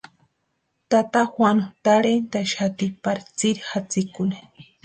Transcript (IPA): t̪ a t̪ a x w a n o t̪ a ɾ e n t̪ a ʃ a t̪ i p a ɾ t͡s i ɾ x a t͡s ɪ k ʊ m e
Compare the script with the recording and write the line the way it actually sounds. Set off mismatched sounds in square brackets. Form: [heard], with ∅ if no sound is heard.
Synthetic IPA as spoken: t̪ a t̪ a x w a n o t̪ a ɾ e n t̪ a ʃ a t̪ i p a ɾ t͡s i ɾ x a t͡s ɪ k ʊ [n] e